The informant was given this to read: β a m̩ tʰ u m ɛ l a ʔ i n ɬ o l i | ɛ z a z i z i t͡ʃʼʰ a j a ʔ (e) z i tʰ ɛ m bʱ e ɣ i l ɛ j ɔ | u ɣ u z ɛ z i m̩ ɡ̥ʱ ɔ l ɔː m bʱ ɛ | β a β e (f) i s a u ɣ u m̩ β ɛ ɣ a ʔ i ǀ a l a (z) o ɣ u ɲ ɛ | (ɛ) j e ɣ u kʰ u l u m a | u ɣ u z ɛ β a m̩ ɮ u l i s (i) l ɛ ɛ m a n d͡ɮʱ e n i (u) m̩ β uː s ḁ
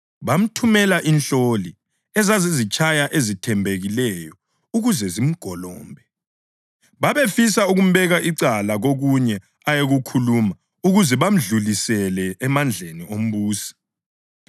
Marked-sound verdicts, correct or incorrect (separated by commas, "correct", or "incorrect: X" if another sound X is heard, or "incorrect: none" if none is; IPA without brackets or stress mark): correct, correct, incorrect: ɣ, incorrect: a, incorrect: ɛ, incorrect: o